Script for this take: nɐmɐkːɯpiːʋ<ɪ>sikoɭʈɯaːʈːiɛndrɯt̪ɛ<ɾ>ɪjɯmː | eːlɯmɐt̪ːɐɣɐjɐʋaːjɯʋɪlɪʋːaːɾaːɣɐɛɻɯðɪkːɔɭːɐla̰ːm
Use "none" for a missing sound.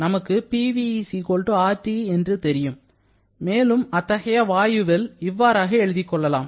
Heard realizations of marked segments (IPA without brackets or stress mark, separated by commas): i, ɾ